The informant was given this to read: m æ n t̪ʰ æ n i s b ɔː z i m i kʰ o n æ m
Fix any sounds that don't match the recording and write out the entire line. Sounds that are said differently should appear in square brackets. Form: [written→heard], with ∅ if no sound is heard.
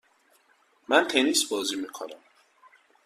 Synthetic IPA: m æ n t̪ʰ [æ→e] n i s b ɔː z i m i kʰ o n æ m